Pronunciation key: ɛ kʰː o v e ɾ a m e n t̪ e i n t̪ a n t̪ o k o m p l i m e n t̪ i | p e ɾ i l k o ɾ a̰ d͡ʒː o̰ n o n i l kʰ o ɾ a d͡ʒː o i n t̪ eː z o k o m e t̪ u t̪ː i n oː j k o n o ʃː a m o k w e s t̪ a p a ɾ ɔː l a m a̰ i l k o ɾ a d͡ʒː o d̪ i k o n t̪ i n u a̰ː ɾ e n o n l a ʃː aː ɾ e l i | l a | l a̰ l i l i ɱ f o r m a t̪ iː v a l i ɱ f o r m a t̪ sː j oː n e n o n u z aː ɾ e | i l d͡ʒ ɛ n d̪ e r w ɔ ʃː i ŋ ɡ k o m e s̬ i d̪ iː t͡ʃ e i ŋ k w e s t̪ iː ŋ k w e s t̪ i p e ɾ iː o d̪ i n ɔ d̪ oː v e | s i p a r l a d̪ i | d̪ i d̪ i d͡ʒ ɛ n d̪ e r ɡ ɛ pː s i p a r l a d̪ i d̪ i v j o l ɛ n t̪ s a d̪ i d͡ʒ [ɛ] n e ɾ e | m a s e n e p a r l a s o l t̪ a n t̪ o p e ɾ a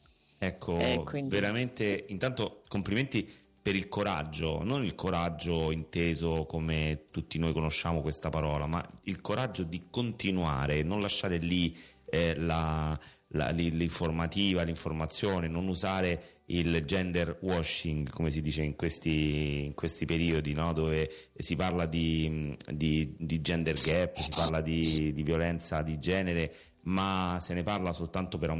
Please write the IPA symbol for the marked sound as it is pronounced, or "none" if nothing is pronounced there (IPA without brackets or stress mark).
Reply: ɛː